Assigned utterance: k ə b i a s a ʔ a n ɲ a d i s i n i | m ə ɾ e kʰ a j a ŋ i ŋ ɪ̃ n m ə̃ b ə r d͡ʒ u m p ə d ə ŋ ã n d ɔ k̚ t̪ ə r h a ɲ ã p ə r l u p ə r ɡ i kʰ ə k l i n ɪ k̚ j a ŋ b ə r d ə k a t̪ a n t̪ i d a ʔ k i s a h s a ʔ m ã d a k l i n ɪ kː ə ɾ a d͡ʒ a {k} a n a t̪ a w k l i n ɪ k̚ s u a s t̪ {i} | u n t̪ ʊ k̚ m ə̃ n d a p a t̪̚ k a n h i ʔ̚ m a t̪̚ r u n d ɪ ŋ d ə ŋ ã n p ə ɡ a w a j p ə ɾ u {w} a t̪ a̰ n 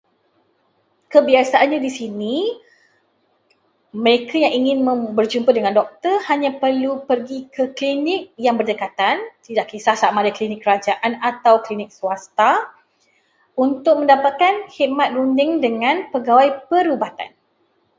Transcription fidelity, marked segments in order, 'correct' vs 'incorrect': incorrect: ʔ, incorrect: a, incorrect: b

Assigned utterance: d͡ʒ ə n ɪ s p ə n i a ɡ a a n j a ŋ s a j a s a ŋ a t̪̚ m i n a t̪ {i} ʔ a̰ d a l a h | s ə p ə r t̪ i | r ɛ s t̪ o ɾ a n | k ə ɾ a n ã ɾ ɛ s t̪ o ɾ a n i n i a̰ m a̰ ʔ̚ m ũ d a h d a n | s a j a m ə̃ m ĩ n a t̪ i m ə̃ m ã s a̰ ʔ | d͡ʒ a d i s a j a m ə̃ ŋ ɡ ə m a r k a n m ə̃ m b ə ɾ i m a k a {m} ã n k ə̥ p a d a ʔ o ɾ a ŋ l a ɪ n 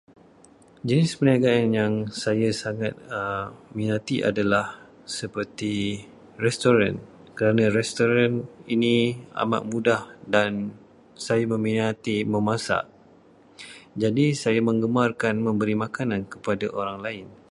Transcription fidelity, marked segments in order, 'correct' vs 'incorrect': correct, incorrect: n

